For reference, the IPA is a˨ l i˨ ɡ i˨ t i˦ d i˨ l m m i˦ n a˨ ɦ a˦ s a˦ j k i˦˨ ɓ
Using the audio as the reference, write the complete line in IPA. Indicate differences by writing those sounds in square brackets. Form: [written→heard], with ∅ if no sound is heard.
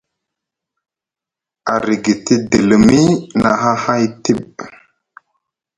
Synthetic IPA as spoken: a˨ [l→ɾ] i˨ ɡ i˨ t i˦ d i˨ l m m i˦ n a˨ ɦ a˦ [s→h] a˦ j [k→t] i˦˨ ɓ